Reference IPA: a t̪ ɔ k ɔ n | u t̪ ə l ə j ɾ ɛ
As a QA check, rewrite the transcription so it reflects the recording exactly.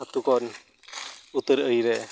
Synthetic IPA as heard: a t̪ u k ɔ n | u t̪ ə ɾ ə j ɾ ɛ